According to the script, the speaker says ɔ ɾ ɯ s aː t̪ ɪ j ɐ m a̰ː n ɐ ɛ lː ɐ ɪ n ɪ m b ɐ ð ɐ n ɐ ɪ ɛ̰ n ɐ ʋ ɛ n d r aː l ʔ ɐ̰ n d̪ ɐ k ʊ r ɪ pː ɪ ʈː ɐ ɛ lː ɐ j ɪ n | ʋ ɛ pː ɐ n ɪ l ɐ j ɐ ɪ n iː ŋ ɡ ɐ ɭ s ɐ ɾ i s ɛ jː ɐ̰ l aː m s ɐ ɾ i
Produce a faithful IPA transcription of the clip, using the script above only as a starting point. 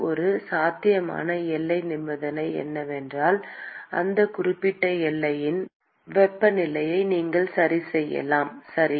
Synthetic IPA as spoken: ɔ ɾ ɯ s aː t̪ ɪ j ɐ m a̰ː n ɐ ɛ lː ɐ ɪ n ɪ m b ɐ ð ɐ n ɐ ɪ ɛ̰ nː ɐ ʋ ɛ n d r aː l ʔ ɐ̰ n d̪ ɐ k ʊ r ɪ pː ɪ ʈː ɐ ɛ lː ɐ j ɪ n | ʋ ɛ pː ɐ n ɪ l ɐ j ɐ ɪ n iː ŋ ɡ ɐ ɭ s ɐ ɾ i s ɛ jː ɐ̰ l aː m s ɐ ɾ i